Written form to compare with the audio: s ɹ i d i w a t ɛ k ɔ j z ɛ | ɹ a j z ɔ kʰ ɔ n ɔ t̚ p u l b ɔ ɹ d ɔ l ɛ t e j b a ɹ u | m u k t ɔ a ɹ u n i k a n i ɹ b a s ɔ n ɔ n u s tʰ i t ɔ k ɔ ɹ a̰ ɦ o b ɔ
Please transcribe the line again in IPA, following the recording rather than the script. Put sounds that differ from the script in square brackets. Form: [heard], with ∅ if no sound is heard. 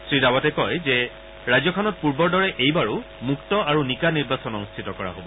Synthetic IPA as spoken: s ɹ i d [a] w a t ɛ k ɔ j z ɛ | ɹ a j z ɔ kʰ ɔ n ɔ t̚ p u [ɹ] b ɔ ɹ d ɔ [ɹ] ɛ [ʔ] e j b a ɹ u | m u k t ɔ a ɹ u n i k a n i ɹ b a s ɔ n ɔ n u s tʰ i t ɔ k ɔ ɹ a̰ ɦ o b ɔ

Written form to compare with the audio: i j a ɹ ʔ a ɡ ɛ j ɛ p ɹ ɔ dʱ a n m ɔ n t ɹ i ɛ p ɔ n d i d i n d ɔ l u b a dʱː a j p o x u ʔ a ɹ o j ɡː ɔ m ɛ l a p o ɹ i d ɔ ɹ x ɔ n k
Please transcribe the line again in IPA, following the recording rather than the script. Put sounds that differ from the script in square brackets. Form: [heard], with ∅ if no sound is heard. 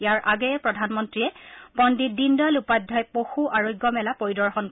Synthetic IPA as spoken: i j a ɹ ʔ a ɡ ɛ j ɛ p ɹ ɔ dʱ a n m ɔ n t ɹ i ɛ p ɔ n d i d i n d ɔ l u [p] a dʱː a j p o x u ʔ a ɹ o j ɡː ɔ m ɛ l a p o ɹ i d ɔ ɹ x ɔ n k

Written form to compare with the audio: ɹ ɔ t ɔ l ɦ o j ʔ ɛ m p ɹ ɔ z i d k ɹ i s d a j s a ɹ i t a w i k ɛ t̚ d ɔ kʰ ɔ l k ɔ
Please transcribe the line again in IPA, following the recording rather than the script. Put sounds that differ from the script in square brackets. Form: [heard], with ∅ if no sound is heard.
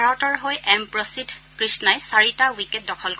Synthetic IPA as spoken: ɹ ɔ t ɔ [ɹ] ɦ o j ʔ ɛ m p ɹ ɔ [s] i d k ɹ i s [n] a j s a ɹ i t a w i k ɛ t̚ d ɔ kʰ ɔ l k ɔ

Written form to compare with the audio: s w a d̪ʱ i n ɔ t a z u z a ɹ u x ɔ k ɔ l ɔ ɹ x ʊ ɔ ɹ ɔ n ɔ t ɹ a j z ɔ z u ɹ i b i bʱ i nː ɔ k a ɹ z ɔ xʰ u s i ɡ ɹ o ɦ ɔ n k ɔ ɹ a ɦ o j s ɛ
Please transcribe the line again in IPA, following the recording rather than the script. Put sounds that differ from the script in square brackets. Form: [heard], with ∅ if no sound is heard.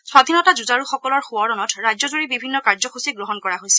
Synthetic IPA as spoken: s w a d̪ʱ i n ɔ t a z u z a ɹ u x ɔ k ɔ l ɔ ɹ x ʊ ɔ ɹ ɔ n ɔ t ɹ a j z ɔ z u ɹ i b i bʱ i nː ɔ k a ɹ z ɔ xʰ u s i ɡ ɹ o ɦ ɔ n k ɔ ɹ a ɦ o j s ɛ

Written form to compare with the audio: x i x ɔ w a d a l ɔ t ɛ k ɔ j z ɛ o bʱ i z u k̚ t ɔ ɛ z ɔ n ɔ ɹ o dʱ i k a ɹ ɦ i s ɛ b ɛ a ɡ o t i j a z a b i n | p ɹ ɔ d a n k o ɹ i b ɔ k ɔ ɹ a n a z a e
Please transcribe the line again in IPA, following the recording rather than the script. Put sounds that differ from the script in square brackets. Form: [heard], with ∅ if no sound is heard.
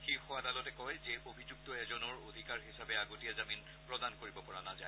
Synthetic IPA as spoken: x i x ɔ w a d a l ɔ t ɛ k ɔ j z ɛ o bʱ i z u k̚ t ɔ ɛ z ɔ n ɔ ɹ o dʱ i k a ɹ ɦ i s [a] b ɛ a ɡ o t i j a z a [m] i n | p ɹ ɔ d a n k o ɹ i b ɔ [p] ɔ ɹ a n a z a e

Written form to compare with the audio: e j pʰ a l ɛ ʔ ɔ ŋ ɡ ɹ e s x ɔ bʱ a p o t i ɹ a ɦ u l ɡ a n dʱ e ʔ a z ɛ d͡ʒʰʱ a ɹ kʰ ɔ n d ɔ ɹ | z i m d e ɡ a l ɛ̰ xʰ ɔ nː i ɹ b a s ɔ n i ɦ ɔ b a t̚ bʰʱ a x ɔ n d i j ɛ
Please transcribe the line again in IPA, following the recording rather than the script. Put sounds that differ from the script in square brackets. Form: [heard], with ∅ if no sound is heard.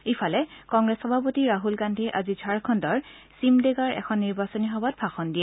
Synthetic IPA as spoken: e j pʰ a l ɛ [k] ɔ ŋ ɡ ɹ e s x ɔ bʱ a p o t i ɹ a ɦ u l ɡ a n dʱ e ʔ a z [i] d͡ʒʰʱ a ɹ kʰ ɔ n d ɔ ɹ | [s] i m d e ɡ a [ɹ] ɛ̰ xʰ ɔ nː i ɹ b a s ɔ n i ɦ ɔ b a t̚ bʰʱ a x ɔ n d i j ɛ

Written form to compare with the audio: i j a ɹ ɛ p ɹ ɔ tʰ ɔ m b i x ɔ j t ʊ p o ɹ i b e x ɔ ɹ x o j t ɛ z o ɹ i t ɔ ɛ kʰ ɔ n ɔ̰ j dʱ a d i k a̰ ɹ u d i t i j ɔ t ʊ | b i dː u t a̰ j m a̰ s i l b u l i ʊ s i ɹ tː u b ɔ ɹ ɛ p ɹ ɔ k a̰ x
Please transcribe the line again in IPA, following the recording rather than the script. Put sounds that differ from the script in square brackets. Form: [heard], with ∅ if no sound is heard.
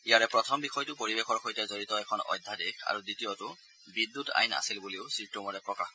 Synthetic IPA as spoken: i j a ɹ ɛ p ɹ ɔ tʰ ɔ m b i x ɔ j t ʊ p o ɹ i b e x ɔ ɹ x o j t ɛ z o ɹ i t ɔ ɛ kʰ ɔ n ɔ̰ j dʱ a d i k a̰ ɹ u d i t i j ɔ t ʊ | b i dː u t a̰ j [n] a̰ s i l b u l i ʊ s i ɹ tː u [m] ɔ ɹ ɛ p ɹ ɔ k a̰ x

